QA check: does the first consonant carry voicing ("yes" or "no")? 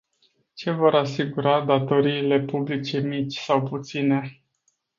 no